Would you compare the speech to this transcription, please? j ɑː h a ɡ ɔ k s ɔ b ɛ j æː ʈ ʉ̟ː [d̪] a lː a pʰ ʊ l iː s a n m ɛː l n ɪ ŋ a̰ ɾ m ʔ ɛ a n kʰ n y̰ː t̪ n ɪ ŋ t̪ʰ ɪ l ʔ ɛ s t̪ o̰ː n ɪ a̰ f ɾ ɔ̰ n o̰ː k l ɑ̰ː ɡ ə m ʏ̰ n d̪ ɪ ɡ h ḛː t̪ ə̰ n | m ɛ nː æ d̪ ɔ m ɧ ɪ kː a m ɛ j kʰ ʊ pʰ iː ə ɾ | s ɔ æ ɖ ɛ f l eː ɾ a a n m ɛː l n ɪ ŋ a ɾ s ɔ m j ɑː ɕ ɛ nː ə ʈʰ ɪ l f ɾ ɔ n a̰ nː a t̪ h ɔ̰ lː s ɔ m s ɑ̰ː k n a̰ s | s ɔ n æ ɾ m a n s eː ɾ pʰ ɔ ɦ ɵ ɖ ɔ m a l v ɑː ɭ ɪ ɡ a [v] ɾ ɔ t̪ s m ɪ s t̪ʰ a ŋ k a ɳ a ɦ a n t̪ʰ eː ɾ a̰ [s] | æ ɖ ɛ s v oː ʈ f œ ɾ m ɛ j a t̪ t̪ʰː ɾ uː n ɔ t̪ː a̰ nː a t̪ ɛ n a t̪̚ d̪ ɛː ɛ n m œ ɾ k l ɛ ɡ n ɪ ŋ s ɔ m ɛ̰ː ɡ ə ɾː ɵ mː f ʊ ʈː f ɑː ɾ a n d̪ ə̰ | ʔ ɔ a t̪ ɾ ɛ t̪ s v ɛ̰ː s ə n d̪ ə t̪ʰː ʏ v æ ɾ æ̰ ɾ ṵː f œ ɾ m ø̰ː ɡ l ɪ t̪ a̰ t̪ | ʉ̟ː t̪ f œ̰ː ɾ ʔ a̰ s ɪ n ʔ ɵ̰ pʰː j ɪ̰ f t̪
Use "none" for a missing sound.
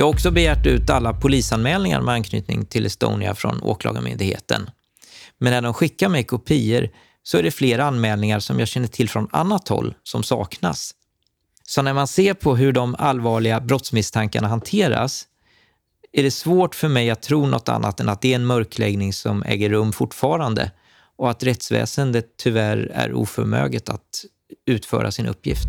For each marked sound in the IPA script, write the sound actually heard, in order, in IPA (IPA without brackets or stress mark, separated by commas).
t̪, b, s